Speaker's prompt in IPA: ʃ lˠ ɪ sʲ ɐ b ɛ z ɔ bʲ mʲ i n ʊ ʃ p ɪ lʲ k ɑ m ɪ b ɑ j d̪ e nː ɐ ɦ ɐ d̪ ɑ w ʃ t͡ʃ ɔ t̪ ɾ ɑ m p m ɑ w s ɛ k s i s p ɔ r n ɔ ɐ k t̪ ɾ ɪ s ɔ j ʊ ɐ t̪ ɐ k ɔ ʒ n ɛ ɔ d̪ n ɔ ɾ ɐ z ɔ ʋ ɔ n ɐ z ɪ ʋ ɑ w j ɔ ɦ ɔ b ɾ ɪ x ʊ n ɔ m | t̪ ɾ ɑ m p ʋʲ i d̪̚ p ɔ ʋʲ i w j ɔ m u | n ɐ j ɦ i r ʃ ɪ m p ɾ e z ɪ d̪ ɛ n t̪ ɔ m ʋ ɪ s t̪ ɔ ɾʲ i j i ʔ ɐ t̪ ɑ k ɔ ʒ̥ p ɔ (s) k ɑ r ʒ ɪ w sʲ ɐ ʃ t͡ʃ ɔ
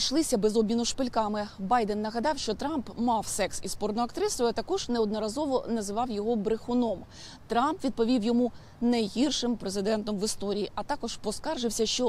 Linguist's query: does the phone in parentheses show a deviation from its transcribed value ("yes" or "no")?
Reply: no